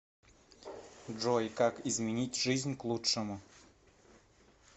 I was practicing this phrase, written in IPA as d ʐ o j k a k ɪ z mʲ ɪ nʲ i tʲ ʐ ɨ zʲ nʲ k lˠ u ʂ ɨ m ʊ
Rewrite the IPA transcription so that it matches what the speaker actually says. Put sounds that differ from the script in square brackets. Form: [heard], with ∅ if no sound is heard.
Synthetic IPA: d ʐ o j k a k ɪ z mʲ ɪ nʲ i tʲ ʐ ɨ zʲ nʲ k lˠ u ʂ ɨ m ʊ